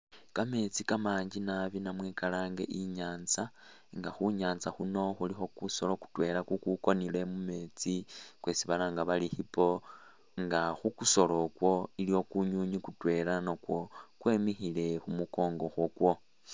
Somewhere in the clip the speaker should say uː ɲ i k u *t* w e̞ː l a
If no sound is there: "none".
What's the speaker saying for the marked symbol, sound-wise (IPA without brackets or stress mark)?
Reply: t